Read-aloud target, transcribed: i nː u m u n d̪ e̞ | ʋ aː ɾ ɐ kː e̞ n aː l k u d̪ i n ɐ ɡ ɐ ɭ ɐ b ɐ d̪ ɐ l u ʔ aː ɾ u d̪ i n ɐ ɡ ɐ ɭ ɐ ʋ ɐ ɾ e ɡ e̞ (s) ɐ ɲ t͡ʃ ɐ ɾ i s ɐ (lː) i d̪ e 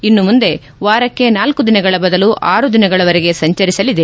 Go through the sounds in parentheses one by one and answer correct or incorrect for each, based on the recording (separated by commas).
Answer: correct, incorrect